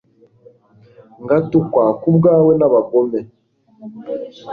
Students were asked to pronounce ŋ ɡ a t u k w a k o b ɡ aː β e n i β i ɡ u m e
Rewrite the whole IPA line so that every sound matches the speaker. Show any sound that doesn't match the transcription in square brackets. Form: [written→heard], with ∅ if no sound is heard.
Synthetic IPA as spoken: ŋ ɡ a t u k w a k [o→u] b ɡ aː [β→w] e n [i→a] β [i→a] ɡ [u→o] m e